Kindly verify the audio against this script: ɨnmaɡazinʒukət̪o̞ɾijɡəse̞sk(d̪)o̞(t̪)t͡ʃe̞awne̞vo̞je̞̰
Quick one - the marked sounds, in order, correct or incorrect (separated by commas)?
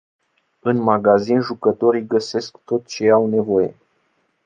incorrect, correct